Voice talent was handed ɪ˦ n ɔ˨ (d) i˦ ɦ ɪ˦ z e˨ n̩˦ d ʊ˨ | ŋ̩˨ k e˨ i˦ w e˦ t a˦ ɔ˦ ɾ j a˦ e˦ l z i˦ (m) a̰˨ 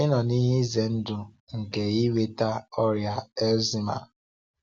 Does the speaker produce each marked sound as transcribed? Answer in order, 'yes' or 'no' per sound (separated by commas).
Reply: no, yes